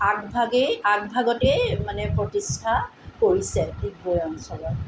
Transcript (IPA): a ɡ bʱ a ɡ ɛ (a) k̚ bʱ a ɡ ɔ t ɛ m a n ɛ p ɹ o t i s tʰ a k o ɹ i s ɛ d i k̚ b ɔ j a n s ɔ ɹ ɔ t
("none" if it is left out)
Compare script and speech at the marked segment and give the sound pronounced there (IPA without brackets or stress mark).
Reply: a